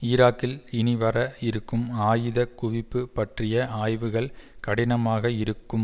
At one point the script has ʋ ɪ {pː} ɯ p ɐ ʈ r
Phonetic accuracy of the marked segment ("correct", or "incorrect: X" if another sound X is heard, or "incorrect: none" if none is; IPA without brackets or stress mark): correct